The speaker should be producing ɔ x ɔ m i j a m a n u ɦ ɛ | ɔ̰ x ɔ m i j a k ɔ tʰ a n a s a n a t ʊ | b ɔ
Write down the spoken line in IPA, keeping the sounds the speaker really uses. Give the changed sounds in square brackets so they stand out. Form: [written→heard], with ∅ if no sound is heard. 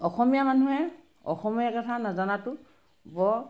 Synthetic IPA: ɔ x ɔ m i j a m a n u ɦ ɛ | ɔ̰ x ɔ m i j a k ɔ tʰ a n a [s→z] a n a t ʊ | b ɔ